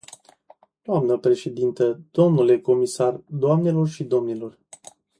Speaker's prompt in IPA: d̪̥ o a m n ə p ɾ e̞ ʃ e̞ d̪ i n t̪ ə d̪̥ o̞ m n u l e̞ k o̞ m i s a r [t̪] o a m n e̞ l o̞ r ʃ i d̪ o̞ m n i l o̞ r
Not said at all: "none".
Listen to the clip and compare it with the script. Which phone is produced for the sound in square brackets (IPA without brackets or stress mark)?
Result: d̪